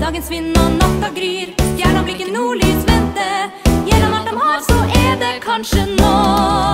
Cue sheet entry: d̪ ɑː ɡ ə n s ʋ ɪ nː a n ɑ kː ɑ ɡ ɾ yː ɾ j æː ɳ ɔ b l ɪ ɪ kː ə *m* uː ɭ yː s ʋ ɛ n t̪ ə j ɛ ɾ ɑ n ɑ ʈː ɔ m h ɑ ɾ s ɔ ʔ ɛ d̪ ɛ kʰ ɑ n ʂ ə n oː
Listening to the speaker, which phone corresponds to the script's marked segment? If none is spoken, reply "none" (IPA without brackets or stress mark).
n